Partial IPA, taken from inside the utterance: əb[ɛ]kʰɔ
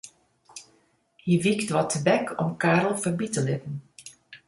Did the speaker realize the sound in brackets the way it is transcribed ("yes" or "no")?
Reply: yes